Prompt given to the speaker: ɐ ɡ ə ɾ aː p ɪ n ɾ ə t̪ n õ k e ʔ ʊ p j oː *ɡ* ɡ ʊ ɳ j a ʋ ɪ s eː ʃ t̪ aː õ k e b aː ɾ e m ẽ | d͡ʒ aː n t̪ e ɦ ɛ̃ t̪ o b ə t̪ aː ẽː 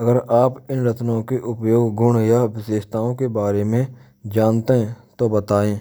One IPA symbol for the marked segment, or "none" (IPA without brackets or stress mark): ɡ